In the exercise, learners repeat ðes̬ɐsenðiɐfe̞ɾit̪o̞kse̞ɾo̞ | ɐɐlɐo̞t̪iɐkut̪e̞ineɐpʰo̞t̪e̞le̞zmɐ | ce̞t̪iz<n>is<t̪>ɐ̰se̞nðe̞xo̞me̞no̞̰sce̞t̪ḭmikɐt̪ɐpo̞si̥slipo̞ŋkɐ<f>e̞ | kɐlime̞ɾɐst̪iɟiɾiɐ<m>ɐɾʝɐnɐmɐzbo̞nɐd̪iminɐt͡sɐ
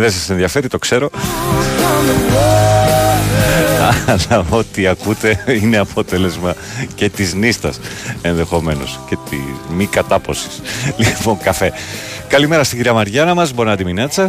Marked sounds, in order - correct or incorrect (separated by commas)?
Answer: correct, correct, correct, correct